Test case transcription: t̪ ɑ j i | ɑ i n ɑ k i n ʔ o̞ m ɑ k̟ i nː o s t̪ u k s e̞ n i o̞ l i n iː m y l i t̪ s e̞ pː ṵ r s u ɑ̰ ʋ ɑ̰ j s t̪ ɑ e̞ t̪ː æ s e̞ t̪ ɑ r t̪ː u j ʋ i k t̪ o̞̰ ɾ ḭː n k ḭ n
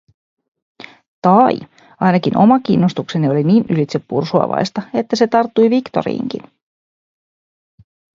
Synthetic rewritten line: t̪ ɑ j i | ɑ j n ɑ k i n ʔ o̞ m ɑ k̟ i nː o s t̪ u k s e̞ n i o̞ l i n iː n y l i t̪ s e̞ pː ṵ r s u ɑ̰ ʋ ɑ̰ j s t̪ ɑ e̞ t̪ː æ s e̞ t̪ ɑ r t̪ː u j ʋ i k t̪ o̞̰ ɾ ḭː ŋ k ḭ n